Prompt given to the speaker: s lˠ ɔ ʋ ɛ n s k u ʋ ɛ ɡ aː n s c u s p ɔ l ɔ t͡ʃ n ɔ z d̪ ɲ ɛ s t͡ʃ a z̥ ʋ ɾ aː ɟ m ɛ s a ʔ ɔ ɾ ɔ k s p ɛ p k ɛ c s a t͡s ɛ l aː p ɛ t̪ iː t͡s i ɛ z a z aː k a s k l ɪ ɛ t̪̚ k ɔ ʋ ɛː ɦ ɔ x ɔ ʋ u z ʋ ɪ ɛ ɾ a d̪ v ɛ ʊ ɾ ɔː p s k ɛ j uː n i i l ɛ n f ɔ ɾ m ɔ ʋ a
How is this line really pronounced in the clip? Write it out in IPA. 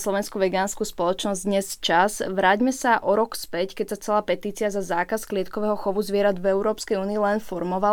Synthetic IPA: s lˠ ɔ ʋ ɛ n s k u ʋ ɛ ɡ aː n s k u s p ɔ l ɔ t͡ʃ n ɔ z d̪ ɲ ɛ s t͡ʃ a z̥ ʋ ɾ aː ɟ m ɛ s a ʔ ɔ ɾ ɔ k s p ɛ c k ɛ c s a t͡s ɛ l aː p ɛ t̪ iː t͡s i a z a z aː k a s k l ɪ ɛ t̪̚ k ɔ ʋ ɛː ɦ ɔ x ɔ ʋ u z ʋ ɪ ɛ ɾ a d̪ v ɛ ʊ ɾ ɔː p s k ɛ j uː n i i l ɛ n f ɔ ɾ m ɔ ʋ a